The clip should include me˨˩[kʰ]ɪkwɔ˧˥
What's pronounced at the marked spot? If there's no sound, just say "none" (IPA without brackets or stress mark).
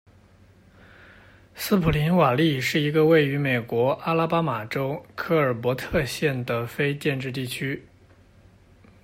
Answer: none